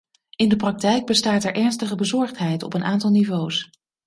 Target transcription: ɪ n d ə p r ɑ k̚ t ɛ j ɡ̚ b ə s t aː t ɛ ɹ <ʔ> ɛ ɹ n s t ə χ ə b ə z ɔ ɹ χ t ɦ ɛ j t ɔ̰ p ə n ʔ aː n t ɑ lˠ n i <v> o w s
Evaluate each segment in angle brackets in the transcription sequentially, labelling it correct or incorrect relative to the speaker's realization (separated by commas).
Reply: correct, correct